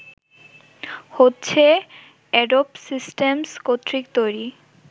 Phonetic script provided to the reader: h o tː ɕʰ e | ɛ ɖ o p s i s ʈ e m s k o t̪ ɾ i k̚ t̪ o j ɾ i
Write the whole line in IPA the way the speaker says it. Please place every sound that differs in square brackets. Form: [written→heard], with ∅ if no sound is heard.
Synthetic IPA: h o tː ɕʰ e | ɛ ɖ o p s i s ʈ e m s k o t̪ ɾ i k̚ t̪ o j ɾ i